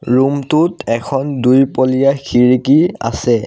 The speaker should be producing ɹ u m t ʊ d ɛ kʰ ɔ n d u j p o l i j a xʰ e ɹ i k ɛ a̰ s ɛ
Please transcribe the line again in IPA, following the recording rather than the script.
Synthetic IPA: ɹ u m t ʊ t ɛ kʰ ɔ n d u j p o l i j a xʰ i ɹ i k i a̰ s ɛ